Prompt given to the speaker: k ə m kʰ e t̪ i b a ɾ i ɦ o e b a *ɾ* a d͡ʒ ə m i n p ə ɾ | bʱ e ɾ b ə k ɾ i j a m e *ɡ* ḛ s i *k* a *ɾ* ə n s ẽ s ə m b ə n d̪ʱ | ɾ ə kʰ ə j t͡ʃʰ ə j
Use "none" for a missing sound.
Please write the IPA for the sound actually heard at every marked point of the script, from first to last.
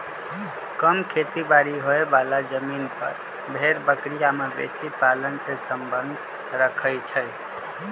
l, b, p, l

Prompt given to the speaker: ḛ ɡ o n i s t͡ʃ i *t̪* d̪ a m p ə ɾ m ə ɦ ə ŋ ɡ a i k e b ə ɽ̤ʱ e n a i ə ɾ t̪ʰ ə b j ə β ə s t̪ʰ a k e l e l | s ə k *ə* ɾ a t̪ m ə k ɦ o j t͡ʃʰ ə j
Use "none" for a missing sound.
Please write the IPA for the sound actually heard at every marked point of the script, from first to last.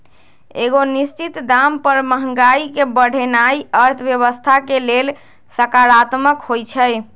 t̪, a

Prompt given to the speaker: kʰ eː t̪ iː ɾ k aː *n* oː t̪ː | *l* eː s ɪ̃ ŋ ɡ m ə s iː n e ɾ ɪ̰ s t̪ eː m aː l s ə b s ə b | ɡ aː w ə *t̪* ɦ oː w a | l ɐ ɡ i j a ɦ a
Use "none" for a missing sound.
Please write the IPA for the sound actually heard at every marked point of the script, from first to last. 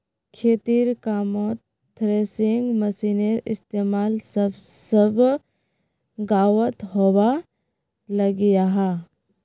m, ɾ, t̪

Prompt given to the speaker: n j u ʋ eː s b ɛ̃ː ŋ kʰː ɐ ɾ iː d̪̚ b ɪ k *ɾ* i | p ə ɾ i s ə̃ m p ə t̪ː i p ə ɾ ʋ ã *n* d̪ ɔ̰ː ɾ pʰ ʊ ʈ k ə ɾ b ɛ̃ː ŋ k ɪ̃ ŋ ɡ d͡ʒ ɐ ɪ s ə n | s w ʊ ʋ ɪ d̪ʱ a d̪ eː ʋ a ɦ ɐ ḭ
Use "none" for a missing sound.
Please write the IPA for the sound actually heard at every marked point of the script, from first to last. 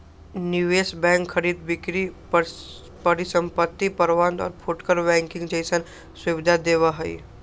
ɾ, n

